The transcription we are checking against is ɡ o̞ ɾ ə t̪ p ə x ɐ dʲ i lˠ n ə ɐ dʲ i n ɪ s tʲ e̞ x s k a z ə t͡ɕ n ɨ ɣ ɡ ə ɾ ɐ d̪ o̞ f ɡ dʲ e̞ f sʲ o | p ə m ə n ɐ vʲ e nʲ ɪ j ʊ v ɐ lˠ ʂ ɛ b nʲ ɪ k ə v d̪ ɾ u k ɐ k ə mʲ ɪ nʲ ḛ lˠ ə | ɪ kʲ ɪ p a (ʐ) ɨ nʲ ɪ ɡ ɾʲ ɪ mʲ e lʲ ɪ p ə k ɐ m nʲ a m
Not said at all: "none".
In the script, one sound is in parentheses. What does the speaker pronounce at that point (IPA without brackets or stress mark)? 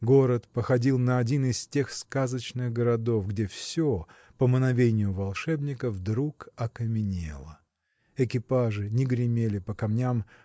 ʐ